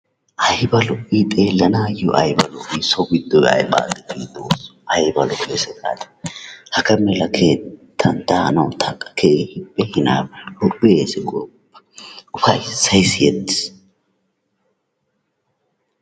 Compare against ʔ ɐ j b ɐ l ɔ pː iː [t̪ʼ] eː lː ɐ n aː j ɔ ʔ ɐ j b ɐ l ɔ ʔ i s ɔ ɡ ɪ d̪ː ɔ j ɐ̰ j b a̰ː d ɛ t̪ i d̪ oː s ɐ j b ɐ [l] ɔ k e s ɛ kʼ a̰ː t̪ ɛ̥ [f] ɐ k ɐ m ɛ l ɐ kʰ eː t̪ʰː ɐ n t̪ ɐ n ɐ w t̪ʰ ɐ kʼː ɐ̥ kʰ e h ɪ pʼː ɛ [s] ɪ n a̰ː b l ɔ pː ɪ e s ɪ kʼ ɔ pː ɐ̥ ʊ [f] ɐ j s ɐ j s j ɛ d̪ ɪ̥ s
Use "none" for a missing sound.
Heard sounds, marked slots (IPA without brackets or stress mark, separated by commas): t̪ʼ, l, h, h, f